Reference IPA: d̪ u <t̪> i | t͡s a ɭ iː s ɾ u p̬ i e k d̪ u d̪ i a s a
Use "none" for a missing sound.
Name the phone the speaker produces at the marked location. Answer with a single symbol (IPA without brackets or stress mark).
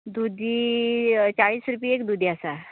d̪